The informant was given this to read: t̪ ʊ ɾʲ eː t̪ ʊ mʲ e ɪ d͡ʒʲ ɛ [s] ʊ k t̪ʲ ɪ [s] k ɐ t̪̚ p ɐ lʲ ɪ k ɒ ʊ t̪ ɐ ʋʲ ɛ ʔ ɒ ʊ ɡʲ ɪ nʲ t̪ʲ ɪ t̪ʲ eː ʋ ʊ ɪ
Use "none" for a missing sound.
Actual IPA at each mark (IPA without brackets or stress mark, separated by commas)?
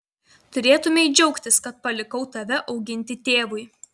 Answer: none, s